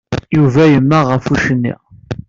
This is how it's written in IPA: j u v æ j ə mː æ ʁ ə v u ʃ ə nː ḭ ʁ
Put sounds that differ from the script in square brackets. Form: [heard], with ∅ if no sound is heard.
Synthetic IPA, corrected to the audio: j u v æ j ə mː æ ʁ ə [f] u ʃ ə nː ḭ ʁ